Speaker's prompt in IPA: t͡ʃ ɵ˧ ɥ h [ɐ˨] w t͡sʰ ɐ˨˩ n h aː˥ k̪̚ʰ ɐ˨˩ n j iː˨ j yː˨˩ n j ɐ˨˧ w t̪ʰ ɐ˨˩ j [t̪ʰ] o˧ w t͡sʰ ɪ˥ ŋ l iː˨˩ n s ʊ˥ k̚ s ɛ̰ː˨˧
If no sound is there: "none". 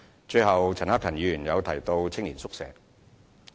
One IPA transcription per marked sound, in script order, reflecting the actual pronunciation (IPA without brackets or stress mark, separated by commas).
ɐ˨, t̪